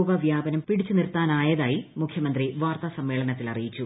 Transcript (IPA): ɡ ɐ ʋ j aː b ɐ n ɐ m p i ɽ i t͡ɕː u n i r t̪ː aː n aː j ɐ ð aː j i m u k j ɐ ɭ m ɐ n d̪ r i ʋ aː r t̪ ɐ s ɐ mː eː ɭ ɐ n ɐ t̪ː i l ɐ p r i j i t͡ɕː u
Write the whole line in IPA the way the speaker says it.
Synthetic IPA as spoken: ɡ ɐ ʋ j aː b ɐ n ɐ m p i ɽ i t͡ɕː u n i r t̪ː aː n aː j ɐ ð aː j i m u kʰ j ɐ m ɐ n d̪ r i ʋ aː r t̪ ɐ s ɐ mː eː ɭ ɐ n ɐ t̪ː i l ɐ r i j i t͡ɕː u